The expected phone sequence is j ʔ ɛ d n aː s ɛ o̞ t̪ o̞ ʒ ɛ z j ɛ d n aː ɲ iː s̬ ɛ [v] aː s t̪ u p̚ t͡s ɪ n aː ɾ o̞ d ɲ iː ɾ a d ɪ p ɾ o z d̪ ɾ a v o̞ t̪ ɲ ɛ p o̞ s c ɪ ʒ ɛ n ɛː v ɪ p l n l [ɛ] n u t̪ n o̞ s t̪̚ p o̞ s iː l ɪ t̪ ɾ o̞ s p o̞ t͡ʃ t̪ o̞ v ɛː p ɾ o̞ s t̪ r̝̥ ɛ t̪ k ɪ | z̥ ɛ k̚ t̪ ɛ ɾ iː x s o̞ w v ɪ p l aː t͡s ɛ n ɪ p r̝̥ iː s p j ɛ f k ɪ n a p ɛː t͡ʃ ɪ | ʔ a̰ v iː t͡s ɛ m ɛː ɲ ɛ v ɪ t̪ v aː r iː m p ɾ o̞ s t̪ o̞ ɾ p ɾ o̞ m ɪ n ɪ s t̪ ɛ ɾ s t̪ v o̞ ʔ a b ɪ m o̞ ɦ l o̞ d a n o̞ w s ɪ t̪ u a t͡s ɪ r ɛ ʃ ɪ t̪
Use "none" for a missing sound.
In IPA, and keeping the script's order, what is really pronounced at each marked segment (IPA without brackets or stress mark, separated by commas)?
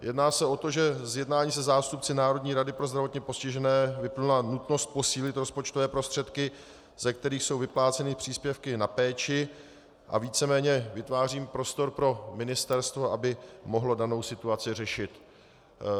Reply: z, a